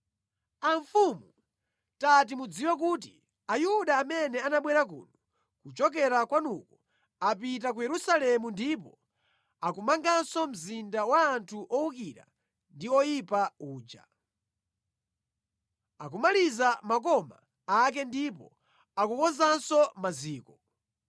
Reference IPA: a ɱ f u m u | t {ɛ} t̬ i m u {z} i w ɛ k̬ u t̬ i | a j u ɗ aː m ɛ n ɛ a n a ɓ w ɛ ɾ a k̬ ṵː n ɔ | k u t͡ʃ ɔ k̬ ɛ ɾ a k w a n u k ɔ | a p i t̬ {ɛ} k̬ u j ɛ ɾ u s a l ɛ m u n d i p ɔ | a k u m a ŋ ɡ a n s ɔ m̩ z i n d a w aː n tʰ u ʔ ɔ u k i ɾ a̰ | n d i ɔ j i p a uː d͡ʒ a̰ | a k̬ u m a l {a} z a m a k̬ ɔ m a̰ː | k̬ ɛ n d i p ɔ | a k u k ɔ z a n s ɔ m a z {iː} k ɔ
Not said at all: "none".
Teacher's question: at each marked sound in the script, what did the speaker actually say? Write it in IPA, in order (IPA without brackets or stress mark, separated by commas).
a, d͡z, a, i, iː